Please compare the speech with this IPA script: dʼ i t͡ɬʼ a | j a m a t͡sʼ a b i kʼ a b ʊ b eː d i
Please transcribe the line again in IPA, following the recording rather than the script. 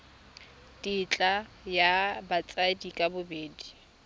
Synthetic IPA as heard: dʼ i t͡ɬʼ a | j a b a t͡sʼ a d i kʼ a b ʊ b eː d i